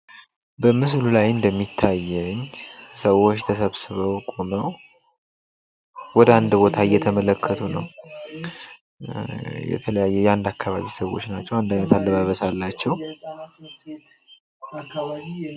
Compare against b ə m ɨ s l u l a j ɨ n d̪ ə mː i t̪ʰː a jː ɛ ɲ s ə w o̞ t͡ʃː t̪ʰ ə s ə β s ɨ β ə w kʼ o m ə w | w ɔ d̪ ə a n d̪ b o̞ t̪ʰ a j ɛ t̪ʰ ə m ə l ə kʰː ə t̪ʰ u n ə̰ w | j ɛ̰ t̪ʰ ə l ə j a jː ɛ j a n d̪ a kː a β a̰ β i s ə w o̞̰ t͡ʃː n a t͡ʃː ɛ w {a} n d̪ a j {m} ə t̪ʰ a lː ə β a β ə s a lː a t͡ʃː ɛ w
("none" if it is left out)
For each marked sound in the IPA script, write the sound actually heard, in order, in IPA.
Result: a, n

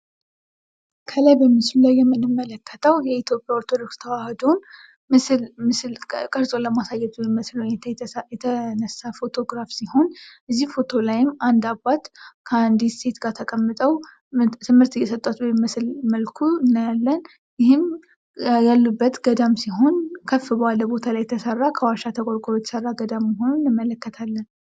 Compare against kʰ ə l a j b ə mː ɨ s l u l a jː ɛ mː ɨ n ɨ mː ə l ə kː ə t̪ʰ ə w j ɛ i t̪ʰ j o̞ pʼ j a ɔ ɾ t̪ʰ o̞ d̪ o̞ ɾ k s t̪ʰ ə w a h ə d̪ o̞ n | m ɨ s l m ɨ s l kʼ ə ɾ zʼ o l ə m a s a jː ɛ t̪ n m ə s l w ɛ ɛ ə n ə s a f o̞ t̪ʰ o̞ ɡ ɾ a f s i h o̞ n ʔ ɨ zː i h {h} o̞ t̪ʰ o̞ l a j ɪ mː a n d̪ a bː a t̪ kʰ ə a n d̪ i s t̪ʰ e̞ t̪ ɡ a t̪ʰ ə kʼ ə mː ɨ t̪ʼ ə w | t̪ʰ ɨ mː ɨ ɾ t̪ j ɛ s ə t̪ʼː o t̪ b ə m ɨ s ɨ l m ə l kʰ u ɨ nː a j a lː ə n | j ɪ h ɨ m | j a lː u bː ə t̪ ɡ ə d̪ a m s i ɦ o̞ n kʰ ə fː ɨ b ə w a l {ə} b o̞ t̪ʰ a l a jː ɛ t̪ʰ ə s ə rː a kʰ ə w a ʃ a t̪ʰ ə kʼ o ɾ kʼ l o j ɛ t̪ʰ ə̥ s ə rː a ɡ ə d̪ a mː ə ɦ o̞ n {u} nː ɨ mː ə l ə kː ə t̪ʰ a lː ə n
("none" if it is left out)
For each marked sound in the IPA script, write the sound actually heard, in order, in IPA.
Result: f, ə, u

